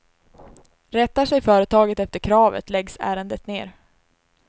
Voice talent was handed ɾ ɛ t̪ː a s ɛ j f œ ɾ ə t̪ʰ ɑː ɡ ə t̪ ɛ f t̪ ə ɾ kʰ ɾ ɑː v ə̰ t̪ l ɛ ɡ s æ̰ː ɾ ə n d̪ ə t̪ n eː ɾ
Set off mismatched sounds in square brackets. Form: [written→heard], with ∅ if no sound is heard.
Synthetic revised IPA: ɾ ɛ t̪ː a [s→ʂ] ɛ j f [œ→œː] ɾ ə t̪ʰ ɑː ɡ ə t̪ ɛ f t̪ ə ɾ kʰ ɾ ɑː v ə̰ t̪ l ɛ ɡ s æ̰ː ɾ ə n d̪ ə t̪ n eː ɾ